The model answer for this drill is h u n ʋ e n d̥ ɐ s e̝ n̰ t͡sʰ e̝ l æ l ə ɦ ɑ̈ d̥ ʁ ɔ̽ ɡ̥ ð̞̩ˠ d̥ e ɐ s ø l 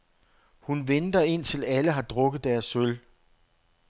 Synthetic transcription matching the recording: h u n ʋ e n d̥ ɐ e̝ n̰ t͡sʰ e̝ l æ l ə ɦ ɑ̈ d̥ ʁ ɔ̽ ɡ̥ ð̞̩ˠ d̥ æ ɐ s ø l